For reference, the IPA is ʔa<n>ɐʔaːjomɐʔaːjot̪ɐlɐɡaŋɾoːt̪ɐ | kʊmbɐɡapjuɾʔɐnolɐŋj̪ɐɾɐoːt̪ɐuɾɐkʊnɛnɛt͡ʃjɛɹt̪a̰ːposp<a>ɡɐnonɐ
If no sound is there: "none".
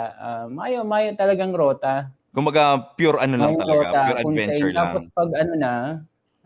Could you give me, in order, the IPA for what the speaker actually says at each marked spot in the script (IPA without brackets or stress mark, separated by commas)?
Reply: m, ɐ